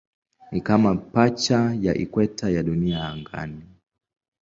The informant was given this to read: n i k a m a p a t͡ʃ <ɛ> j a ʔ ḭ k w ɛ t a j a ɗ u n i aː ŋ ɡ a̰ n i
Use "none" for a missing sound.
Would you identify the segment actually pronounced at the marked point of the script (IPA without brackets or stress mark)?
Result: a